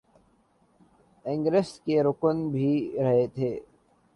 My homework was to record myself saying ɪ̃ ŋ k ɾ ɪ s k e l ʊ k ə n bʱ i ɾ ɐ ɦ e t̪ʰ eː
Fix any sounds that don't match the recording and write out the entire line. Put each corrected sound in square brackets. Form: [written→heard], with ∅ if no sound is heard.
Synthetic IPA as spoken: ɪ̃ ŋ [k→ɡ] ɾ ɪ s k e [l→ɾ] ʊ k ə n bʱ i ɾ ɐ ɦ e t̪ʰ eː